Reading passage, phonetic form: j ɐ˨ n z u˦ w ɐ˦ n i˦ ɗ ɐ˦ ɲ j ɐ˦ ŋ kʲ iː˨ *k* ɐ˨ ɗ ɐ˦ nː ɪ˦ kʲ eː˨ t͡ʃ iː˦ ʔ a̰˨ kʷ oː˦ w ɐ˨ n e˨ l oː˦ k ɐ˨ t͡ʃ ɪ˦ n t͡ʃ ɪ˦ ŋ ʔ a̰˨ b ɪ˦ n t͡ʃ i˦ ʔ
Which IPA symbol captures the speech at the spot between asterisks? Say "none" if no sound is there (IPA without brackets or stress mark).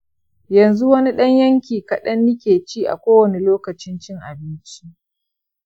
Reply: k